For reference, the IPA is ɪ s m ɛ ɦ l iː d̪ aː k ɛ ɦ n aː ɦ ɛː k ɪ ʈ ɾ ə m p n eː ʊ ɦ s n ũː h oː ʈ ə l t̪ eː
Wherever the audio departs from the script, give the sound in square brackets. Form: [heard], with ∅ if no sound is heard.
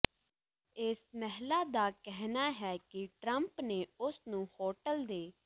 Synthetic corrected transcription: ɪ s m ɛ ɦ l [aː] d̪ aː k ɛ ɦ n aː ɦ ɛː k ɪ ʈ ɾ ə m p n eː ʊ [∅] s n ũː h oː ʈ ə l [d̪] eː

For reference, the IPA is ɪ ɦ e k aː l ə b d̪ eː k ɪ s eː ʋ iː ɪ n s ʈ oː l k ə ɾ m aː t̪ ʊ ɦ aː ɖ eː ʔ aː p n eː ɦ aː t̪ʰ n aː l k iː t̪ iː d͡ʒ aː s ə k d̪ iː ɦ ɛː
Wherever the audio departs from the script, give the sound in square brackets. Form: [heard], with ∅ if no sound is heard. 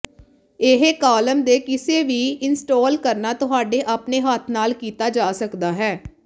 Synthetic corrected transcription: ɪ ɦ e k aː l ə [m] d̪ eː k ɪ s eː ʋ iː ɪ n s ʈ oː l k ə ɾ [n] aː t̪ ʊ ɦ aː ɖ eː ʔ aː p n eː ɦ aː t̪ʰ n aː l k iː t̪ [aː] d͡ʒ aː s ə k d̪ [aː] ɦ ɛː

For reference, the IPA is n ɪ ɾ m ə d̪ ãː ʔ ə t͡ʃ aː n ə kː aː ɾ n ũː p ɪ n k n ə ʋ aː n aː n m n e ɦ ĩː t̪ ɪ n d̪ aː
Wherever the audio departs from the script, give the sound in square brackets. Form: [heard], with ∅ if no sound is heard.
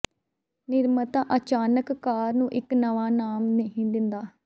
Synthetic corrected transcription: n ɪ ɾ m ə [t̪] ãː ʔ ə t͡ʃ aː n ə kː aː ɾ n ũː [ʔ] ɪ [∅] k n ə ʋ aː n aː [∅] m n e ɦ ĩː [d̪] ɪ n d̪ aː

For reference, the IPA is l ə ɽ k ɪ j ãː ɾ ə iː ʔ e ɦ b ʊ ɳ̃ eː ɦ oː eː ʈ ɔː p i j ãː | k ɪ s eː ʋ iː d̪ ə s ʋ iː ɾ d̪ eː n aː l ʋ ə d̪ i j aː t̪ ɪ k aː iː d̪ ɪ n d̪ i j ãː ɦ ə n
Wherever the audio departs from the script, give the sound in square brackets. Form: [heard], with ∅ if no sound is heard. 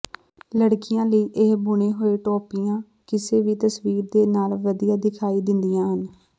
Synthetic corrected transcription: l ə ɽ k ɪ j ãː [l] ə iː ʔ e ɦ b ʊ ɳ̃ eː ɦ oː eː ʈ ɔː p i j ãː | k ɪ s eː ʋ iː [t̪] ə s ʋ iː ɾ d̪ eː n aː l ʋ ə d̪ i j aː [d̪] ɪ [kʰ] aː iː d̪ ɪ n d̪ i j ãː ɦ ə n

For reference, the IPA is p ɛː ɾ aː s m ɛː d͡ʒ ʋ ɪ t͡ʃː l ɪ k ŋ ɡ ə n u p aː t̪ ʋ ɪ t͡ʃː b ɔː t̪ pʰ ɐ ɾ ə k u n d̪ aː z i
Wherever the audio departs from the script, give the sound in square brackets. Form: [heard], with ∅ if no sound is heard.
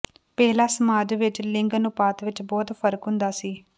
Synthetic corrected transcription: p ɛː [l] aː s m [aː] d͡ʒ ʋ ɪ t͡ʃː l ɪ [∅] ŋ ɡ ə n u p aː t̪ ʋ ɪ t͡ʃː b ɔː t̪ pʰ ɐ ɾ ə k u n d̪ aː [s] i

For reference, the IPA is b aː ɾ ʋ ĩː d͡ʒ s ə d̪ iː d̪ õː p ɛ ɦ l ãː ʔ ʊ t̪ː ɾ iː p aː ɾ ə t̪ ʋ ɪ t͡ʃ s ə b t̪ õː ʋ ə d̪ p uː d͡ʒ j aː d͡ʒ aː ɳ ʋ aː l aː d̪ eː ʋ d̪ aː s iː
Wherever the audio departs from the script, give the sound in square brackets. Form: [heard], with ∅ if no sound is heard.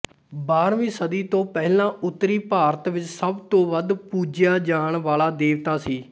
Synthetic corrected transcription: b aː ɾ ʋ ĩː [∅] s ə d̪ iː [t̪] õː p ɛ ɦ l ãː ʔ ʊ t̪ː ɾ iː p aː ɾ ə t̪ ʋ ɪ t͡ʃ s ə b t̪ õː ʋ ə d̪ p uː d͡ʒ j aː d͡ʒ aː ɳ ʋ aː l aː d̪ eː ʋ [t̪] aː s iː

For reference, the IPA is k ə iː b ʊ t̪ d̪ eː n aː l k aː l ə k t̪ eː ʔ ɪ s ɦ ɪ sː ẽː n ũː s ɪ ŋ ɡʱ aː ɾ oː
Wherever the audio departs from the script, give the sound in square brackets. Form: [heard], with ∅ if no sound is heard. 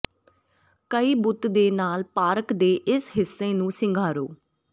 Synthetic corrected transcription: k ə iː b ʊ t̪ d̪ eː n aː l [p] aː [ɾ] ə k [d̪] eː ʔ ɪ s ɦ ɪ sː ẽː n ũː s ɪ ŋ ɡʱ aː ɾ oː

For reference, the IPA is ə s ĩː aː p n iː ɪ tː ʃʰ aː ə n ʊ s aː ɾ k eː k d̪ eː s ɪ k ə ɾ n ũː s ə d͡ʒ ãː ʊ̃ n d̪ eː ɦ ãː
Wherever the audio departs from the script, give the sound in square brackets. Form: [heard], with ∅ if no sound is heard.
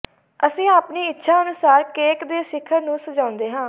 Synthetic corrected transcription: ə s ĩː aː p n iː ɪ tː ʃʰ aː ə n ʊ s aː ɾ k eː k d̪ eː s ɪ [kʰ] ə ɾ n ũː s ə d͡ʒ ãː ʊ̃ n d̪ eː ɦ ãː

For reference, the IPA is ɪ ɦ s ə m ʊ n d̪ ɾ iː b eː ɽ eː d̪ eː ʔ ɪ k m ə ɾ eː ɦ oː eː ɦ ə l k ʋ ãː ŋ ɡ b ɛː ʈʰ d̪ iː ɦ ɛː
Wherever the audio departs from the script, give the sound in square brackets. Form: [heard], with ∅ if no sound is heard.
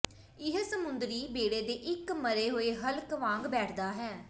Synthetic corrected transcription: ɪ ɦ s ə m ʊ n d̪ ɾ iː b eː ɽ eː d̪ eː ʔ ɪ k m ə ɾ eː ɦ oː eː ɦ ə l k ʋ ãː ŋ ɡ b ɛː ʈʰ d̪ [aː] ɦ ɛː

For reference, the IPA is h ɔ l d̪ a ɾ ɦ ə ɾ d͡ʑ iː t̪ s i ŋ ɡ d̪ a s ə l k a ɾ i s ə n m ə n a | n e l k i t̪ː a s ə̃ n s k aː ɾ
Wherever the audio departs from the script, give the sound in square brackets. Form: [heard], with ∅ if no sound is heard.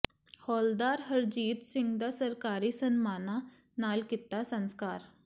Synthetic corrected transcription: h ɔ l d̪ a ɾ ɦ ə ɾ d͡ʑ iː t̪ s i ŋ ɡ d̪ a s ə [ɾ] k a ɾ i s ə n m [a] n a | n [a] l k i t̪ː a s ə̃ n s k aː ɾ

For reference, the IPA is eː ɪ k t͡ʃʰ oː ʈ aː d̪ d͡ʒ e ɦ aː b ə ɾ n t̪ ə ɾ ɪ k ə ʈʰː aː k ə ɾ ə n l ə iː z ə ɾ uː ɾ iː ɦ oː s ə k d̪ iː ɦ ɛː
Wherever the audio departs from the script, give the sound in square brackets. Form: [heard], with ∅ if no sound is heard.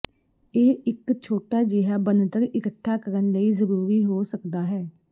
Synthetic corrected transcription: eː ɪ k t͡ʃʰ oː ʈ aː [∅] d͡ʒ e ɦ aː b ə [∅] n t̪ ə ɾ ɪ k ə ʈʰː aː k ə ɾ ə n l ə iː z ə ɾ uː ɾ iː ɦ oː s ə k d̪ [aː] ɦ ɛː

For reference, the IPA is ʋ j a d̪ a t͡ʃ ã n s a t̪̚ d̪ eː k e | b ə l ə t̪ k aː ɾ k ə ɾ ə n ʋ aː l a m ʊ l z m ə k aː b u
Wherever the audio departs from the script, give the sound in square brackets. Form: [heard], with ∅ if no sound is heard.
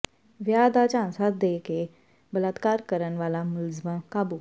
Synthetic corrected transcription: ʋ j a d̪ a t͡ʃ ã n s a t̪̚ d̪ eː k e | b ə l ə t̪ k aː ɾ k ə ɾ ə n ʋ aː l a m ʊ l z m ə k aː b u

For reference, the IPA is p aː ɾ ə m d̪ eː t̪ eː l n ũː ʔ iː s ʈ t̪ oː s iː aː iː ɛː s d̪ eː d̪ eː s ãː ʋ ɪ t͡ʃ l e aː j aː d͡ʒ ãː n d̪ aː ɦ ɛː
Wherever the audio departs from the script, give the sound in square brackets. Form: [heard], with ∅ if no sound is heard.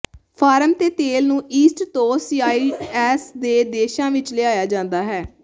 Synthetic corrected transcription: [pʰ] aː ɾ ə m [t̪] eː t̪ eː l n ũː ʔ iː s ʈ t̪ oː s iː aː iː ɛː s d̪ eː d̪ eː [ʃ] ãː ʋ ɪ t͡ʃ l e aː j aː d͡ʒ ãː n d̪ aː ɦ ɛː

